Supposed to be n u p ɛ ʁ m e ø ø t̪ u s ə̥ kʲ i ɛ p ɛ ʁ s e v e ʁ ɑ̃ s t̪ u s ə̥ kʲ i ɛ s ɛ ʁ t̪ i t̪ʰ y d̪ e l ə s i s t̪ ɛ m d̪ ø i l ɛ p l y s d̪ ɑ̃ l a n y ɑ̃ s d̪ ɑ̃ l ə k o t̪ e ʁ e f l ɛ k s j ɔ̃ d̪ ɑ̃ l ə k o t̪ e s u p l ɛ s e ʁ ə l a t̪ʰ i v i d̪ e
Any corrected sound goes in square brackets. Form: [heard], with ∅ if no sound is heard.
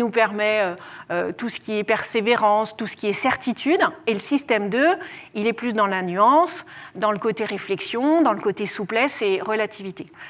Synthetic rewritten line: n u p ɛ ʁ m [ɛ] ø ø t̪ u s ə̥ kʲ i ɛ p ɛ ʁ s e v e ʁ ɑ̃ s t̪ u s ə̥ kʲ i ɛ s ɛ ʁ t̪ i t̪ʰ y d̪ e l ə s i s t̪ ɛ m d̪ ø i l ɛ p l y s d̪ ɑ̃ l a n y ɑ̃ s d̪ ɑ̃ l ə k o t̪ e ʁ e f l ɛ k s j ɔ̃ d̪ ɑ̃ l ə k o t̪ e s u p l ɛ s e ʁ ə l a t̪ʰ i v i [t̪] e

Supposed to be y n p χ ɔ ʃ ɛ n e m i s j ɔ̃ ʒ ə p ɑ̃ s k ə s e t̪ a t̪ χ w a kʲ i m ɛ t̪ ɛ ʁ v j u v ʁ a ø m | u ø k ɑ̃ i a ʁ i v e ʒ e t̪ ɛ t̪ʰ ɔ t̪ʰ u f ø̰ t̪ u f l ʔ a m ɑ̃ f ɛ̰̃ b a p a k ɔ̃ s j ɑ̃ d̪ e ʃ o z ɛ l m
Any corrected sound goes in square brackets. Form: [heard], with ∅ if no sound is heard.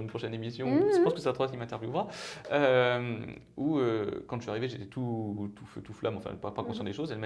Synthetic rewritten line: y n p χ ɔ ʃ ɛ n e m i s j ɔ̃ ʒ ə p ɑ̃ s k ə s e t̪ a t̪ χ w a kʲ i m [ɛ̃] t̪ ɛ ʁ v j u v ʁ a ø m | u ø k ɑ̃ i a ʁ i v e ʒ e t̪ ɛ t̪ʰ [u] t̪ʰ u f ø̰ t̪ u f l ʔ a m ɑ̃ f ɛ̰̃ [p] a p a k ɔ̃ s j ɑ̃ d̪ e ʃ o z ɛ l m

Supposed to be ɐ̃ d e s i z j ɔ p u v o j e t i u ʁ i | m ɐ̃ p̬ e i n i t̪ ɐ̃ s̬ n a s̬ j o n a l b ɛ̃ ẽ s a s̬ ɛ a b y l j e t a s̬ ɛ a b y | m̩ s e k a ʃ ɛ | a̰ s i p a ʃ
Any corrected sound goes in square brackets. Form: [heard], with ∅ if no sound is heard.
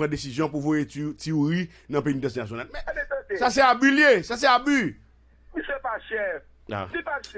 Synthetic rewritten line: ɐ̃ d e s i z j [ɔ̃] p u v o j e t i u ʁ i | [n] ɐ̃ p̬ e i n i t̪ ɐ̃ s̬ n a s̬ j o n a l [m] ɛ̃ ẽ s a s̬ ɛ a b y l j e [s] a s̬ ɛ a b y | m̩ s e [p] a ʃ ɛ | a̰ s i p a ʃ

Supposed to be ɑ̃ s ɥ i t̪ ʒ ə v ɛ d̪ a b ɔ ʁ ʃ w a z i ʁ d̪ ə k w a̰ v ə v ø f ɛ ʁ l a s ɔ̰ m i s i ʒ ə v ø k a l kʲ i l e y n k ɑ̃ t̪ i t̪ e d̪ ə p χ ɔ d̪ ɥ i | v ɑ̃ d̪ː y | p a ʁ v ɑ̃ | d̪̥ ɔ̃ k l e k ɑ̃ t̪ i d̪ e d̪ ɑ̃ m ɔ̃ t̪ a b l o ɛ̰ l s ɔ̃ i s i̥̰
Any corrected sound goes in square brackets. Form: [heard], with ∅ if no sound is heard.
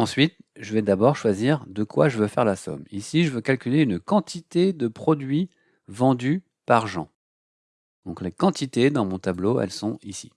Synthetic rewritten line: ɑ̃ s ɥ i t̪ ʒ ə v ɛ d̪ a b ɔ ʁ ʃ w a z i ʁ d̪ ə k w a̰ [ʒ] ə v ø f ɛ ʁ l a s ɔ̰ m i s i ʒ ə v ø k a l kʲ [y] l e y n k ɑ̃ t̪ i t̪ e d̪ ə p χ ɔ d̪ ɥ i | v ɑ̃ [d̪] y | p a ʁ [ʒ] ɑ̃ | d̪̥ ɔ̃ k l e k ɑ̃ t̪ i [t̪] e d̪ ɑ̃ m ɔ̃ t̪ a b l o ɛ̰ l s ɔ̃ i s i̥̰

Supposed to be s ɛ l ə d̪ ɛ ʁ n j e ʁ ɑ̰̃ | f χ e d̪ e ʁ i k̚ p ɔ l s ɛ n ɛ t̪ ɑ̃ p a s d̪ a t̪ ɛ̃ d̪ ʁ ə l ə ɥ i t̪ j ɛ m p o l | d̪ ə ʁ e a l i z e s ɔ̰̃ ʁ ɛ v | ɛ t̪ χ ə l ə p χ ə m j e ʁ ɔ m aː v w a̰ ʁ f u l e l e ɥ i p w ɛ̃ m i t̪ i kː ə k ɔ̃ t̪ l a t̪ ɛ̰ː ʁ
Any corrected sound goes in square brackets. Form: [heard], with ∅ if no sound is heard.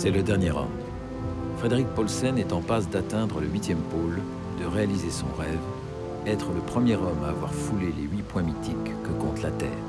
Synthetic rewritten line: s ɛ l ə d̪ ɛ ʁ n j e ʁ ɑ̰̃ | f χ e d̪ e ʁ i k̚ p ɔ l s ɛ n ɛ t̪ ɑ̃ p a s d̪ a t̪ ɛ̃ d̪ ʁ ə l ə ɥ i t̪ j ɛ m p o l | d̪ ə ʁ e a l i z e s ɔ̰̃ ʁ ɛ v | ɛ t̪ χ ə l ə p χ ə m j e ʁ ɔ m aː v w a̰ ʁ f u l e l e ɥ i p w ɛ̃ m i t̪ i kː ə k ɔ̃ t̪ l a t̪ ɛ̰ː ʁ

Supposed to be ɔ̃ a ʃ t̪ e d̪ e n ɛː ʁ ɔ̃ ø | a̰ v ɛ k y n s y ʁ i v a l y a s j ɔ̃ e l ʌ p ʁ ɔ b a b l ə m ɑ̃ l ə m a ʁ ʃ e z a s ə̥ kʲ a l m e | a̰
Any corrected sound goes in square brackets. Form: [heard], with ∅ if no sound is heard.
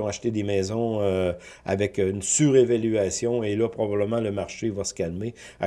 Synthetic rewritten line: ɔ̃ a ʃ t̪ e d̪ e [m] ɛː [z] ɔ̃ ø | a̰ v ɛ k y n s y ʁ [e] v a l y a s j ɔ̃ e l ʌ p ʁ ɔ b a b l ə m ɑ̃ l ə m a ʁ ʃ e [v] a s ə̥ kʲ a l m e | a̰

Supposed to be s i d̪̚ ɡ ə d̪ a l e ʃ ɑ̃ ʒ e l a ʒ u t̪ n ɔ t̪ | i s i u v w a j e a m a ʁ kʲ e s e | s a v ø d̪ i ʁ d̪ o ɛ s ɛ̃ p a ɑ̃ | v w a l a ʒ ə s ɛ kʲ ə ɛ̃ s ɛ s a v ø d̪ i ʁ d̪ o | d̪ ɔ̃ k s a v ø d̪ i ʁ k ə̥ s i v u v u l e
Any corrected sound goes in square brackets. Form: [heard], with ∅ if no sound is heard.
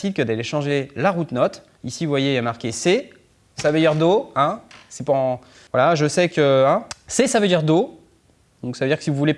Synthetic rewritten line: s i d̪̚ [k] ə d̪ a l e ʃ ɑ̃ ʒ e l a [ʁ] u t̪ n ɔ t̪ | i s i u v w a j e a m a ʁ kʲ e s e | s a v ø d̪ i ʁ d̪ o [ɛ̃] s [ɛ] p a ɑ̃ | v w a l a ʒ ə s ɛ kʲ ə ɛ̃ s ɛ s a v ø d̪ i ʁ d̪ o | d̪ ɔ̃ k s a v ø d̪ i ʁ k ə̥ s i v u v u l e

